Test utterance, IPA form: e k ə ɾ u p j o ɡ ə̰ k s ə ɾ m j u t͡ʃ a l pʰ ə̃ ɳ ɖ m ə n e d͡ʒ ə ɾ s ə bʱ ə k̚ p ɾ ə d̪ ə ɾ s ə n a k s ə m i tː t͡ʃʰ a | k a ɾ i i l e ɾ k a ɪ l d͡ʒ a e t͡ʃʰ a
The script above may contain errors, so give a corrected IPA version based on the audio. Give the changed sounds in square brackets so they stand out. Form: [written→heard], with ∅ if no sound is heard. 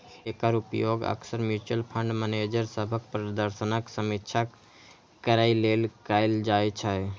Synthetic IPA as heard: e k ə ɾ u p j o ɡ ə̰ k s ə ɾ m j u t͡ʃ [a→ə] l pʰ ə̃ ɳ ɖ m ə n e d͡ʒ ə ɾ s ə bʱ ə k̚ p ɾ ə d̪ ə ɾ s ə n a k s ə m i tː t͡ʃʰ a | k [a→ə] ɾ [i→a] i l e [ɾ→l] k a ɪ l d͡ʒ a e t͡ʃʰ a